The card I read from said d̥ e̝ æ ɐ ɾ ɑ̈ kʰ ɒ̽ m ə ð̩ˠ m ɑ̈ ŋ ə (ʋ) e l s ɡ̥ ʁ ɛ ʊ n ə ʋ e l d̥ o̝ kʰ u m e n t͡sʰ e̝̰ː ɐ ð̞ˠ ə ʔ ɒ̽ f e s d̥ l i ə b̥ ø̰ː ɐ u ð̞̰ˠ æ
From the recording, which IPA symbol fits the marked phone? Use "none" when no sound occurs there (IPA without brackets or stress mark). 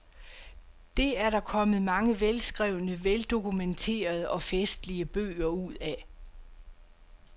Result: ʋ